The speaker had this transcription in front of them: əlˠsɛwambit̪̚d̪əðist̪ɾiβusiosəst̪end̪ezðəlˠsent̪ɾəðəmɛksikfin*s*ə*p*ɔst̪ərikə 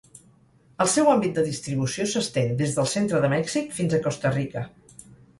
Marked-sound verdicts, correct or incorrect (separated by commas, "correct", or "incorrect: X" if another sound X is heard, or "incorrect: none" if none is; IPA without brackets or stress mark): incorrect: z, incorrect: k